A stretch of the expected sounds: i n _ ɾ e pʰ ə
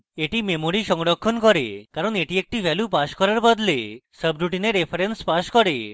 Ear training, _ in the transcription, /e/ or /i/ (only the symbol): e